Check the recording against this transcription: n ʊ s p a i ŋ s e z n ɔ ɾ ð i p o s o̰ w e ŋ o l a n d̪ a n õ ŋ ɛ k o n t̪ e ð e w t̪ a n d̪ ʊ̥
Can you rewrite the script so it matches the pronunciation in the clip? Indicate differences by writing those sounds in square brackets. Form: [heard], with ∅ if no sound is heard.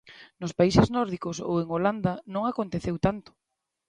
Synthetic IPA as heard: n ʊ s p a i [∅] s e z n ɔ ɾ ð i [k] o s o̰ w e ŋ o l a n d̪ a n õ ŋ [a] k o n t̪ e [θ] e w t̪ a n [t̪] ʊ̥